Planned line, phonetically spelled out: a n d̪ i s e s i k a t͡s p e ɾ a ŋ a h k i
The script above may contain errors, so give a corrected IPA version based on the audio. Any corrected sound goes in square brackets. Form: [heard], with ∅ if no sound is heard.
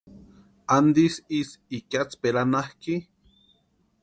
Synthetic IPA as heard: a n d̪ i s [i] s i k a t͡s p e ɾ a [n] a h k i